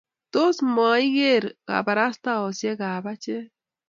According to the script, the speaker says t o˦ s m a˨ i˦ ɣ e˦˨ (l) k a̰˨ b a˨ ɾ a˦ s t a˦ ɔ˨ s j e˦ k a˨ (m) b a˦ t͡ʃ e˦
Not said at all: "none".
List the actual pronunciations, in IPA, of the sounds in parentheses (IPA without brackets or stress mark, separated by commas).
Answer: ɾ, none